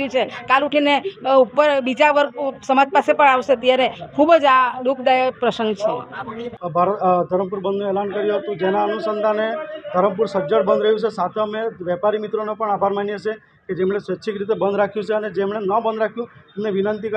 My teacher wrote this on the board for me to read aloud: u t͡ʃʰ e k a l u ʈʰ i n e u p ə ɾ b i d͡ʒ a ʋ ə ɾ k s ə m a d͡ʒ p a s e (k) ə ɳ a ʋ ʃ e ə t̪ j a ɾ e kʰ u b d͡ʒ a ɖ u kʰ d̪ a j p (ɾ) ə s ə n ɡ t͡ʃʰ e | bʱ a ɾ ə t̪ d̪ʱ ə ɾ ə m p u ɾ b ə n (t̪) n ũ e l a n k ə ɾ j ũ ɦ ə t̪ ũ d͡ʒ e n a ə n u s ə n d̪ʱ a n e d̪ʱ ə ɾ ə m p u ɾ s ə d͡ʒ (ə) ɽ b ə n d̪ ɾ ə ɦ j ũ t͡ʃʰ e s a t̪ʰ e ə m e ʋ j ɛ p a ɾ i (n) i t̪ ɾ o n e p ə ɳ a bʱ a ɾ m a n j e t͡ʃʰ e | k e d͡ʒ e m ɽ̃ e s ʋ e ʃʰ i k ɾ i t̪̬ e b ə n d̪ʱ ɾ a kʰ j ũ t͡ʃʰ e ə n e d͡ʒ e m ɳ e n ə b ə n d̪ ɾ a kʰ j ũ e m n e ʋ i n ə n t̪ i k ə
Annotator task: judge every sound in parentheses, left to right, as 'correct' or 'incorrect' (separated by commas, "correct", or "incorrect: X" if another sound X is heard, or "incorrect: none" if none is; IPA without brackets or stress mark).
incorrect: p, correct, incorrect: d̪, correct, incorrect: m